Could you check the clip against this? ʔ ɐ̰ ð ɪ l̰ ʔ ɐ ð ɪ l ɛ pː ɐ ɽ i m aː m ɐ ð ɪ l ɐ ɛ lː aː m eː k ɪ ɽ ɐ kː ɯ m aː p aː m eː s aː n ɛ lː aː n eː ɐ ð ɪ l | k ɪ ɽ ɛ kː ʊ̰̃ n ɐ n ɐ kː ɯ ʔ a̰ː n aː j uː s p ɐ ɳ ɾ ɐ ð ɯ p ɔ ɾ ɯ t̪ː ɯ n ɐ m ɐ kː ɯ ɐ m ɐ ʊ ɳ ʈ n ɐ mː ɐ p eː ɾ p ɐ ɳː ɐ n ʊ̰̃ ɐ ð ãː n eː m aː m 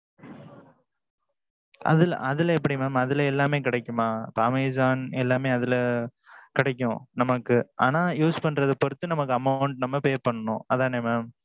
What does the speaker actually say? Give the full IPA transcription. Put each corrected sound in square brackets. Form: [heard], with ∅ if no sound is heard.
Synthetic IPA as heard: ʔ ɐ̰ ð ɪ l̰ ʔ ɐ ð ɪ l ɛ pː ɐ ɽ i m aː m ɐ ð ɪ l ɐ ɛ lː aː m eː k ɪ ɽ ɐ kː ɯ m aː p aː m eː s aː n ɛ lː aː [m] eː ɐ ð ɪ l | k ɪ ɽ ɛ kː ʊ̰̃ n ɐ [m] ɐ kː ɯ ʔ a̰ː n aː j uː s p ɐ ɳ ɾ ɐ ð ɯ p ɔ ɾ ɯ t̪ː ɯ n ɐ m ɐ kː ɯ ɐ m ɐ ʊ ɳ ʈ n ɐ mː ɐ p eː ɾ p ɐ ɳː ɐ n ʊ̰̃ ɐ ð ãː n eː m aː m